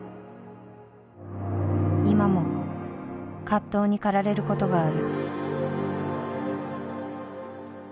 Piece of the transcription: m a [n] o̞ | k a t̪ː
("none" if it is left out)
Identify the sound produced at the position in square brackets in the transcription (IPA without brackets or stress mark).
m